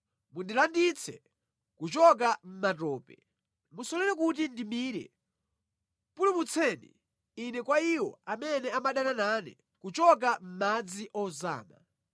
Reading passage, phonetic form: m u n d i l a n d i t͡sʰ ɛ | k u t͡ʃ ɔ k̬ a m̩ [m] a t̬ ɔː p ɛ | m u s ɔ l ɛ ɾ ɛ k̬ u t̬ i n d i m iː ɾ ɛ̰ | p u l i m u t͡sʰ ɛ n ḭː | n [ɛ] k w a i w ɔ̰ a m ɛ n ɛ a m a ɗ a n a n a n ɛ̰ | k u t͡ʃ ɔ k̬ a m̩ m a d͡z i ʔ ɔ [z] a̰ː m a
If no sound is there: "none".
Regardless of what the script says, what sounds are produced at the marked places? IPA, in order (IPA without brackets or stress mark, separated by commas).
m, ɛ, z